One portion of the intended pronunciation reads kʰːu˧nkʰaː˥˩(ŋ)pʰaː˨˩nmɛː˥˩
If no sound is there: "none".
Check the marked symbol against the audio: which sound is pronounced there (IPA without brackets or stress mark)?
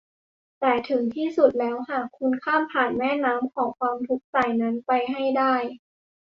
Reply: m